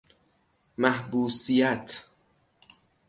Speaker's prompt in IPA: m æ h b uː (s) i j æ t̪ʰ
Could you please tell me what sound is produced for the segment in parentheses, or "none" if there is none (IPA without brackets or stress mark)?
s